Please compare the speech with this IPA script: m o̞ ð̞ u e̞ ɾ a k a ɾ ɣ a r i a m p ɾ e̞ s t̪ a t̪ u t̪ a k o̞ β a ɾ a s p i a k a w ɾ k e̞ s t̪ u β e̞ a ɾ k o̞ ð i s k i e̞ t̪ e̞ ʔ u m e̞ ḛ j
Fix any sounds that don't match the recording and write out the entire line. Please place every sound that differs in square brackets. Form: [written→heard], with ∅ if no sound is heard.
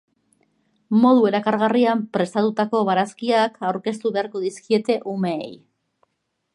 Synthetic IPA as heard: m o̞ ð̞ u e̞ ɾ a k a ɾ ɣ a r i a m p ɾ e̞ s t̪ a t̪ u t̪ a k o̞ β a ɾ a s [p→k] i a k a w ɾ k e̞ s t̪ u β e̞ a ɾ k o̞ ð i s k i e̞ t̪ e̞ ʔ u m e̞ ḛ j